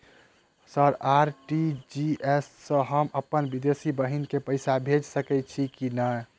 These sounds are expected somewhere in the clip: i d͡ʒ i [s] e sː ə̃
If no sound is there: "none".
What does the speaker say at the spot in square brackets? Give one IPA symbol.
none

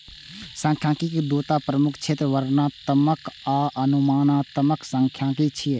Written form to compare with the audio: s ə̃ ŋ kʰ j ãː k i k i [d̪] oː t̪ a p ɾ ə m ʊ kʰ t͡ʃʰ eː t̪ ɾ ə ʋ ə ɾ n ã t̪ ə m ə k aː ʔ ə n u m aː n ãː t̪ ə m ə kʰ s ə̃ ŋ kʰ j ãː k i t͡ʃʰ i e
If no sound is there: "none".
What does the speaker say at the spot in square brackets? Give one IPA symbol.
d̪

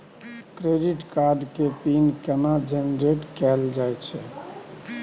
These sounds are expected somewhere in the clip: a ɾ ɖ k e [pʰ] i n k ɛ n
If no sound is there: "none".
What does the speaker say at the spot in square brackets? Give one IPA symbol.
p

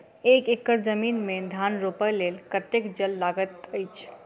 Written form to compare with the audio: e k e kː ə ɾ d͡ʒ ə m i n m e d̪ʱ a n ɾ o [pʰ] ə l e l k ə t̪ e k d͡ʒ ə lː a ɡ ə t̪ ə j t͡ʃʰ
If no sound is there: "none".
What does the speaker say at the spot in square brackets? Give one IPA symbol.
p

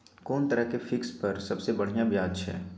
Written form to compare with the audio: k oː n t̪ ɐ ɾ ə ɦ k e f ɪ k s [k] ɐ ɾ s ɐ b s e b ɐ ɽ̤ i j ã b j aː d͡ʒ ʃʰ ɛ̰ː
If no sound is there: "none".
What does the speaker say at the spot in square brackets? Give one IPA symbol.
p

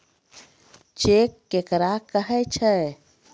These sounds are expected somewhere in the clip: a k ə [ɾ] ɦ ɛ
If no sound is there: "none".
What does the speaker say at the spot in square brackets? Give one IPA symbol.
none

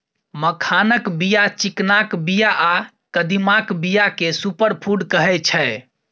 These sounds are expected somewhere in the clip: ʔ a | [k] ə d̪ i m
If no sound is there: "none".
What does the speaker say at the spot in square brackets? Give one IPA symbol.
k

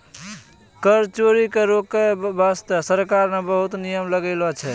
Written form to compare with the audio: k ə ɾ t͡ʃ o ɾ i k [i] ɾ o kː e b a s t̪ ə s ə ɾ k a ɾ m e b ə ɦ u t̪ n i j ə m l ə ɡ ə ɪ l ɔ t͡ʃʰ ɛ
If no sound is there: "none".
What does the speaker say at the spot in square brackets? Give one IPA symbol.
e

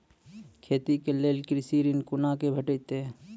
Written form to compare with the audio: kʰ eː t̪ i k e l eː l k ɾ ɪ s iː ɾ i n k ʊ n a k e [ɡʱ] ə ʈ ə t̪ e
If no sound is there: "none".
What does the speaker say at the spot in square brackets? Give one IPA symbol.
bʱ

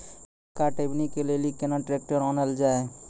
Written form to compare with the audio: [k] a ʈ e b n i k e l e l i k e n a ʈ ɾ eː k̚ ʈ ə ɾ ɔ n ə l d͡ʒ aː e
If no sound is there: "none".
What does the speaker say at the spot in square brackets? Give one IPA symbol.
k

